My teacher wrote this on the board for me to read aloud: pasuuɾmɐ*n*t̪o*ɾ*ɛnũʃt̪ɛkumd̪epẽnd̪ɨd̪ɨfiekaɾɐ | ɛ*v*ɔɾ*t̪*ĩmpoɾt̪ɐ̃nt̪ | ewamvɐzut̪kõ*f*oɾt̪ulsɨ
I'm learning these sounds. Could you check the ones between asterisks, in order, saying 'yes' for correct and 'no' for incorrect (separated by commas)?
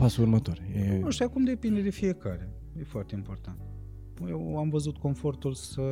no, yes, no, yes, yes